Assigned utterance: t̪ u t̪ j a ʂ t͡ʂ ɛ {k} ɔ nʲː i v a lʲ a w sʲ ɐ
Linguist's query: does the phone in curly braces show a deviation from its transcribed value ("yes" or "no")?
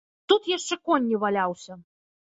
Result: no